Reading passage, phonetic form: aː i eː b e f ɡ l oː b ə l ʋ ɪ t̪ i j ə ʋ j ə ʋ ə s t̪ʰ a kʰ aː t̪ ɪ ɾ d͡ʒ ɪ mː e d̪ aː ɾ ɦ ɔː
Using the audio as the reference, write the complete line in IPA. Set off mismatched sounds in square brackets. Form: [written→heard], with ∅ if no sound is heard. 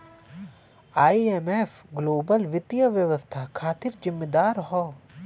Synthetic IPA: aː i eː [b→m] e f ɡ l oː b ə l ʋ ɪ t̪ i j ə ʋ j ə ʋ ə s t̪ʰ a kʰ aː t̪ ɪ ɾ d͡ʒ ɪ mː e d̪ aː ɾ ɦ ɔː

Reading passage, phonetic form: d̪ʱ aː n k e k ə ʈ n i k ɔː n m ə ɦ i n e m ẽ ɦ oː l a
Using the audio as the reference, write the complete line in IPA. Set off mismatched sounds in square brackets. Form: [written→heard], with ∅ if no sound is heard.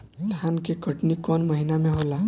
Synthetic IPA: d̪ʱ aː n k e k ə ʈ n i k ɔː n m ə ɦ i n [e→a] m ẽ ɦ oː l a

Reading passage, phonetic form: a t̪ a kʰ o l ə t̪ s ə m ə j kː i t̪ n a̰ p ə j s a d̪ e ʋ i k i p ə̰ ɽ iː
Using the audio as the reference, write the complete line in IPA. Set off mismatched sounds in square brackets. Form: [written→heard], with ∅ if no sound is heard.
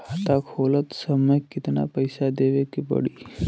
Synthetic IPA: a t̪ a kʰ o l ə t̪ s ə m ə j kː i t̪ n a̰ p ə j s a d̪ e ʋ [i→e] k i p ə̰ ɽ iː

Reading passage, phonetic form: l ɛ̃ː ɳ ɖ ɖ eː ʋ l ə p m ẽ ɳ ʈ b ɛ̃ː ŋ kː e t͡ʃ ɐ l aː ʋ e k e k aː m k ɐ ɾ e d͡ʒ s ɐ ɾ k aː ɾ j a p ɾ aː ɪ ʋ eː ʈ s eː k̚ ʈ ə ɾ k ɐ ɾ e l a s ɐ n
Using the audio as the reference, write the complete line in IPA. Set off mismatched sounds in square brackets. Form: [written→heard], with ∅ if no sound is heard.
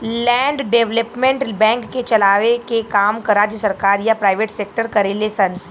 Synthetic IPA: l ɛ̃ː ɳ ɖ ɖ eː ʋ l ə p m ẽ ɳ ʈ b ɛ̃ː ŋ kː e t͡ʃ ɐ l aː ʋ e k e k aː m k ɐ ɾ [e→a] d͡ʒ s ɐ ɾ k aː ɾ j a p ɾ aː ɪ ʋ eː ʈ s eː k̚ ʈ ə ɾ k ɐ ɾ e l [a→e] s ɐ n

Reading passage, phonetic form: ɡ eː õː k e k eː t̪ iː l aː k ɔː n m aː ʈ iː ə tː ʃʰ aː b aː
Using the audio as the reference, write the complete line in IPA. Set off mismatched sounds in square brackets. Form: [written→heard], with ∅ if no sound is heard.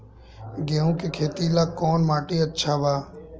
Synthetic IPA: ɡ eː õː k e [k→kʰ] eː t̪ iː l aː k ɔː n m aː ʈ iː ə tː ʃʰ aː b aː

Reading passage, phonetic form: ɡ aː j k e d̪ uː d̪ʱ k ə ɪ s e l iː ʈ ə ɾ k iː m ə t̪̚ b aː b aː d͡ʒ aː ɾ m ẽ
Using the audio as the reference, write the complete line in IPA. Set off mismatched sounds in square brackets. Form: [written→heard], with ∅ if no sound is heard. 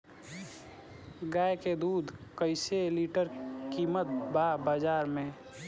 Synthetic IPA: ɡ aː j k e d̪ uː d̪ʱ k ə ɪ s e l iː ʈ ə ɾ k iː m ə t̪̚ b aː b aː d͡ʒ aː ɾ m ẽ

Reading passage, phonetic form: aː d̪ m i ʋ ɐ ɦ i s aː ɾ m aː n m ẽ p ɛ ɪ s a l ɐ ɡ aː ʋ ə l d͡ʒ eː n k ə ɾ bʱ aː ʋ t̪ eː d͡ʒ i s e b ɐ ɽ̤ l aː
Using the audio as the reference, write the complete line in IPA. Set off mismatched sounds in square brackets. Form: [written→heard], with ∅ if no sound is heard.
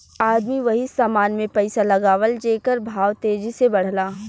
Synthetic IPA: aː d̪ m i ʋ ɐ ɦ i s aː [ɾ→∅] m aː n m ẽ p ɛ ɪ s a l ɐ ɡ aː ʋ ə l d͡ʒ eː [n→∅] k ə ɾ bʱ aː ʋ t̪ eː d͡ʒ i s e b ɐ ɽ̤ l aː

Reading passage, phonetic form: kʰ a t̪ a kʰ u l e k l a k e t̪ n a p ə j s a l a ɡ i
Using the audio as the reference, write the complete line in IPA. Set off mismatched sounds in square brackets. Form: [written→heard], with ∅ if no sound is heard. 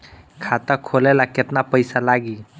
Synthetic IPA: kʰ a t̪ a kʰ [u→o] l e [k→∅] l a k e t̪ n a p ə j s a l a ɡ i

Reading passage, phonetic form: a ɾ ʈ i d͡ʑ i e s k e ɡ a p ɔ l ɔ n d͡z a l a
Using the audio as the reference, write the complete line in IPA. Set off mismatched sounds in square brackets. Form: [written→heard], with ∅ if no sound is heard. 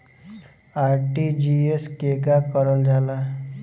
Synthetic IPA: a ɾ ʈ i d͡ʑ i e s k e ɡ a [p→k] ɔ [l→ɾ] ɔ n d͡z a l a

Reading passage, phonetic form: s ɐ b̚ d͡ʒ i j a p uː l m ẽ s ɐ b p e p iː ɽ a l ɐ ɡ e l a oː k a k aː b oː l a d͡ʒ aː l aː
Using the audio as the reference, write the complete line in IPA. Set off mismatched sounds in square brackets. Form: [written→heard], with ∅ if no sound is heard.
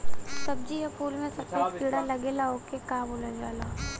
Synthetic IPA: s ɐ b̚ d͡ʒ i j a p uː l m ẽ s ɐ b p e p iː ɽ a l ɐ ɡ e l a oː k [a→e] k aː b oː l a d͡ʒ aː l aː

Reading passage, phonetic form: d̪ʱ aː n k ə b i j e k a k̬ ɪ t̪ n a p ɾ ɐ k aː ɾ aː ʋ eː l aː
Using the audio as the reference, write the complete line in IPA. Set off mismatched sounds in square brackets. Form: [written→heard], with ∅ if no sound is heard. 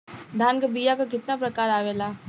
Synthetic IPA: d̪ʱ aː n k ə b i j [e→a] k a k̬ ɪ t̪ n a p ɾ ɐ k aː ɾ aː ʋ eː l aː

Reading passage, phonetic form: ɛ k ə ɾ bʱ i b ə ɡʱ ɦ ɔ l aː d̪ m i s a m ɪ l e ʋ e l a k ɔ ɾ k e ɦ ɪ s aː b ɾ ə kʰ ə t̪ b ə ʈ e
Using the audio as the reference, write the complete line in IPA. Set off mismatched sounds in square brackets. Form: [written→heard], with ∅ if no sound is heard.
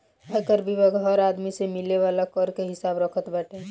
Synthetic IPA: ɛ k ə ɾ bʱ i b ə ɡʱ ɦ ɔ [l→ɾ] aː d̪ m i s [a→e] m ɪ l e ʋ [e→a] l a k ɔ ɾ k e ɦ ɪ s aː b ɾ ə kʰ ə t̪ b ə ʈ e

